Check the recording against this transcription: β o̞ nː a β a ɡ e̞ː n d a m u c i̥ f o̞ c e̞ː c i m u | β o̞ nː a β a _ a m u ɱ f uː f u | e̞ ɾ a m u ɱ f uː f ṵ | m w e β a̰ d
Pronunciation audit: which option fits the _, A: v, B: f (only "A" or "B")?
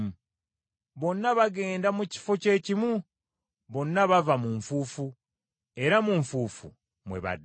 A